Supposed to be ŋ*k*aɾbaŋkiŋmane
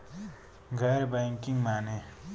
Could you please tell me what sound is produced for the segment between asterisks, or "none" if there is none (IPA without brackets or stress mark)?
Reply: ɡ